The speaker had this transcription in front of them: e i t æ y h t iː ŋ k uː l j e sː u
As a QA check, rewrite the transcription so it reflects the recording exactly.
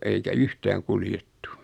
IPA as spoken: e i k æ y h t æː ŋ k u l j e tː u